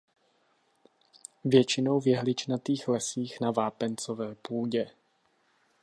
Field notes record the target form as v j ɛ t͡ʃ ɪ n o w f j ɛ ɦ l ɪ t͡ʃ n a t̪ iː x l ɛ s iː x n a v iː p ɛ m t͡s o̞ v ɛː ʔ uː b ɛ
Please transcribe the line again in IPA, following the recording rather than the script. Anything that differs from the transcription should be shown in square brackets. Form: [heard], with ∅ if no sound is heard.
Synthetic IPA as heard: v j ɛ t͡ʃ ɪ n o w [v] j ɛ ɦ l ɪ t͡ʃ n a t̪ iː x l ɛ s iː x n a v [aː] p ɛ [n] t͡s o̞ v ɛː [p] uː [ɟ] ɛ